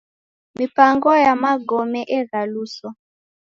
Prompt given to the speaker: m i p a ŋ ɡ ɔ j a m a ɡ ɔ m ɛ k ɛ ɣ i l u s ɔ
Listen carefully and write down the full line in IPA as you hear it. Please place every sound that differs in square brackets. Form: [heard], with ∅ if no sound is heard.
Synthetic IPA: m i p a ŋ ɡ ɔ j a m a ɡ ɔ m ɛ [ʔ] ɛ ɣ [a] l u s ɔ